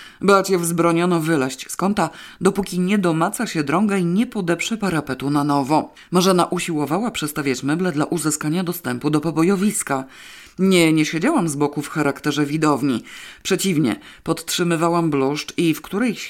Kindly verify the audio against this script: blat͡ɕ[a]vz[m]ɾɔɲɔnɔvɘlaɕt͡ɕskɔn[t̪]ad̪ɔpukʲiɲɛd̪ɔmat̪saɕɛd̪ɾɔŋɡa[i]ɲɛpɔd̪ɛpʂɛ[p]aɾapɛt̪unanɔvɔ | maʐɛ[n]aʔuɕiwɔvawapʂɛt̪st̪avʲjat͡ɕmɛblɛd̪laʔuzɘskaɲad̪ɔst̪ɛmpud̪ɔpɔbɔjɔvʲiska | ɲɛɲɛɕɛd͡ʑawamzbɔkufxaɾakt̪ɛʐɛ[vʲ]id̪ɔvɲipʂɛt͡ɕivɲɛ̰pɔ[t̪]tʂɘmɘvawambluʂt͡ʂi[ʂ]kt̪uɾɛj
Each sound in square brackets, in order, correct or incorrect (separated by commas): incorrect, incorrect, correct, correct, correct, correct, correct, correct, incorrect